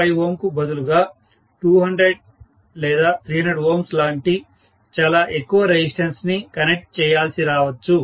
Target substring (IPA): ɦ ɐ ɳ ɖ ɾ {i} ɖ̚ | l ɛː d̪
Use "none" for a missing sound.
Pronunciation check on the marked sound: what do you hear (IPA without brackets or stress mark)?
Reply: e